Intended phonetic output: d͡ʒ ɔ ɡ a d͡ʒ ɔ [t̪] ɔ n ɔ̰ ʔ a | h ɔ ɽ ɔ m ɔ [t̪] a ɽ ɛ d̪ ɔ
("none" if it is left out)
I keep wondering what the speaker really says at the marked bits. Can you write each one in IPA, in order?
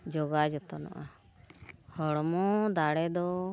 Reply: t̪, d̪

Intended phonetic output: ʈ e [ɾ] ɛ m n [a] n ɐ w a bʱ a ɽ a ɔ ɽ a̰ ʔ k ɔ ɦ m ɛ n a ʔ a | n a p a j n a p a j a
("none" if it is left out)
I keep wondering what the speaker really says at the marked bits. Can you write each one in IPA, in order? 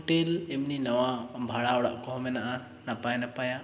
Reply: l, i

